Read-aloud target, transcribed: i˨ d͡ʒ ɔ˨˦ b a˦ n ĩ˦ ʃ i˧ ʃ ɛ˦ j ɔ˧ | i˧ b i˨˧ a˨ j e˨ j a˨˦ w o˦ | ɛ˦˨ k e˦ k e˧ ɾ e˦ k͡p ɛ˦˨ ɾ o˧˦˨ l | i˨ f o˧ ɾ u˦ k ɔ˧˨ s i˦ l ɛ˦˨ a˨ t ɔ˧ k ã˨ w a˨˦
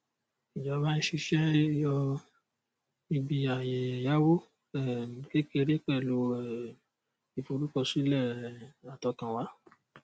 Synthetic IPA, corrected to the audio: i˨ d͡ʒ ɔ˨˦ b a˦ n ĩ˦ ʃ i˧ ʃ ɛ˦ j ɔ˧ | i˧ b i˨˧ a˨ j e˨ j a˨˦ w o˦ | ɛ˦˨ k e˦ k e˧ ɾ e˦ k͡p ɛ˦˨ l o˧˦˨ | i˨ f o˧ ɾ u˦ k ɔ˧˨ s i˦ l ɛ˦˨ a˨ t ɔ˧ k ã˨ w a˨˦